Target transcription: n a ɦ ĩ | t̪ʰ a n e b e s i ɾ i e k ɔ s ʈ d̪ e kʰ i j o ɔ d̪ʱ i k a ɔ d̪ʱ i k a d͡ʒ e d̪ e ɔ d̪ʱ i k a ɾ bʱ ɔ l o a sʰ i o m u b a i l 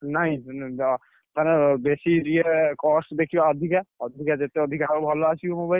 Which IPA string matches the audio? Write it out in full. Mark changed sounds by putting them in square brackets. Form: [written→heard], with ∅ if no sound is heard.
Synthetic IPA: n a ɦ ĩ | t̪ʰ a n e b e s i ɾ i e k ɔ s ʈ d̪ e kʰ i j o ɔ d̪ʱ i k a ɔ d̪ʱ i k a d͡ʒ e [d̪→t̪] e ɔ d̪ʱ i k a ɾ bʱ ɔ l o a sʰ i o m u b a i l